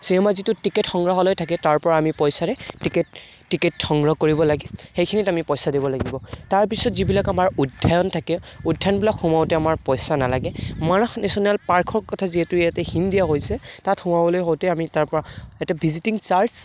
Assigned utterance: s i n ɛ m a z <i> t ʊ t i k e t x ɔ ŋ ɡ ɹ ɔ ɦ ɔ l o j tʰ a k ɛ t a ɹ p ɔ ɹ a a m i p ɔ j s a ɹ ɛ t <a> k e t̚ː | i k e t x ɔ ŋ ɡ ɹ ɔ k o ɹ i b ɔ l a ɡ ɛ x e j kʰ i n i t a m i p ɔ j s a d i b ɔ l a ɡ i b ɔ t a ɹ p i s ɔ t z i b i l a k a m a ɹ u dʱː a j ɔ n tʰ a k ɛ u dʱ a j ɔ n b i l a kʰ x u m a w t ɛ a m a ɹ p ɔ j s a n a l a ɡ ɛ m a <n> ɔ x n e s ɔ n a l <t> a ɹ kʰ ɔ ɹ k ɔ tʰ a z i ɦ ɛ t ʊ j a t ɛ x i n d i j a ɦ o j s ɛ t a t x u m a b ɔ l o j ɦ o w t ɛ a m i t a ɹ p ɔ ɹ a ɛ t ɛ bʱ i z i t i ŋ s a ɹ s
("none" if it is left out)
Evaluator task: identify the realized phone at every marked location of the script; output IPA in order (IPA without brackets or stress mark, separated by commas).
i, i, n, p